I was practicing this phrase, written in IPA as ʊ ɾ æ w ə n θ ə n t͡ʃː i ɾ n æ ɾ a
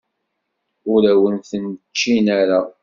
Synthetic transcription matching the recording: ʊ ɾ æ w ə n θ ə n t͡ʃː i n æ ɾ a